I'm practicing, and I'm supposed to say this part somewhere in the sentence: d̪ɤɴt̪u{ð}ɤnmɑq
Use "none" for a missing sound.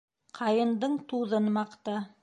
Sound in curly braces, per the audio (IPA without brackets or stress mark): ð